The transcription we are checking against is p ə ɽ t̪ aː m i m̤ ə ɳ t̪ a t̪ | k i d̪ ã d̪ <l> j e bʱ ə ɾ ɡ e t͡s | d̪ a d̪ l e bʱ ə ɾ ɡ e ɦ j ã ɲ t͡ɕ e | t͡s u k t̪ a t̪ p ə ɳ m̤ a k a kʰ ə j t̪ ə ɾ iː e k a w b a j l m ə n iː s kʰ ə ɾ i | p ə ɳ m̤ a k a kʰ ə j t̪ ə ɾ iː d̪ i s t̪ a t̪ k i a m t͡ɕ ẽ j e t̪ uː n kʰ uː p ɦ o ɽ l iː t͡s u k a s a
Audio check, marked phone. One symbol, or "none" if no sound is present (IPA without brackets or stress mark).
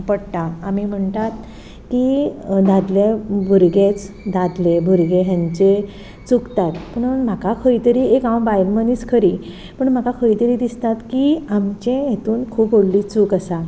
l